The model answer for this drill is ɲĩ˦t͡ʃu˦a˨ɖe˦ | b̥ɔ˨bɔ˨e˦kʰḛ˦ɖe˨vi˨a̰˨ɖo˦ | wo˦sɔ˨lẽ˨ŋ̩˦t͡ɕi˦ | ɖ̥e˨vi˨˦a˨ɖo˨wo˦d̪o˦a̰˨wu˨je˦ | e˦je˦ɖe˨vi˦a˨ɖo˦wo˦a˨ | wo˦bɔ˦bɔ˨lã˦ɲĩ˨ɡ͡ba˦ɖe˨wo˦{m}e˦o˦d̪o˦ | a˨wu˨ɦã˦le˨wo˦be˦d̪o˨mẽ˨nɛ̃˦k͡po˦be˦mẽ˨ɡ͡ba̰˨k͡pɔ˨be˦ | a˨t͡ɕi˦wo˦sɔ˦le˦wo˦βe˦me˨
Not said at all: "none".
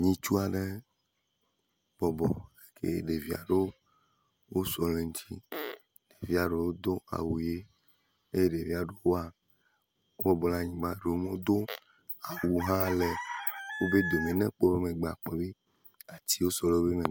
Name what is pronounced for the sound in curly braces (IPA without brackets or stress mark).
m